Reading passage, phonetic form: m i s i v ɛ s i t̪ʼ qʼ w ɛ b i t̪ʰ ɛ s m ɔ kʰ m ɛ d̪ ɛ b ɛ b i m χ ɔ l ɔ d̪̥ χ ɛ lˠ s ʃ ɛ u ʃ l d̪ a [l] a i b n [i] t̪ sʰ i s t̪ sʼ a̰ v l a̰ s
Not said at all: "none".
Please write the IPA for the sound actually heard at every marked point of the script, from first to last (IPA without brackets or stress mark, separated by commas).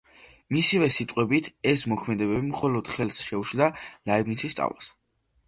l, i